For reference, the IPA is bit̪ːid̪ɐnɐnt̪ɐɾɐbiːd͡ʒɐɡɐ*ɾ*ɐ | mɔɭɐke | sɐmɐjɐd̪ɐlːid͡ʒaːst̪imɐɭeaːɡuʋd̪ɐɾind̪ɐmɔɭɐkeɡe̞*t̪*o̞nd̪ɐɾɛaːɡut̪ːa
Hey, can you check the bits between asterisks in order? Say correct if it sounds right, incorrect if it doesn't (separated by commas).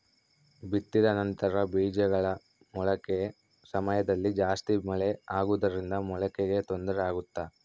incorrect, correct